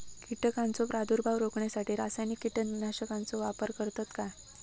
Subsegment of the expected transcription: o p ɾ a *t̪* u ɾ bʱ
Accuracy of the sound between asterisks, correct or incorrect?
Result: incorrect